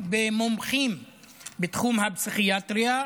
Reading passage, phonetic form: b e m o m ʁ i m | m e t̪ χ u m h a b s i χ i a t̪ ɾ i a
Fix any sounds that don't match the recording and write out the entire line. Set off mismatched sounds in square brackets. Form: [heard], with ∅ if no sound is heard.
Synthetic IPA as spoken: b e m o m [χ] i m | [b] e t̪ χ u m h a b s i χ i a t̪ ɾ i a